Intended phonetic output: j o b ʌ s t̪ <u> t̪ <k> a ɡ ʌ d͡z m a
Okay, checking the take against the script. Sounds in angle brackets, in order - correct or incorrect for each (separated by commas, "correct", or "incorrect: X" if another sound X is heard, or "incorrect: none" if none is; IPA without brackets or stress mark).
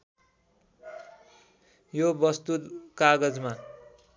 correct, correct